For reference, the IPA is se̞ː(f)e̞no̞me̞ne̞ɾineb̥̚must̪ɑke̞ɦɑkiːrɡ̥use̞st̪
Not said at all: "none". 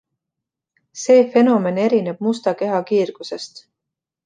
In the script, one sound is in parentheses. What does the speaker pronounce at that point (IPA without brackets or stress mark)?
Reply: f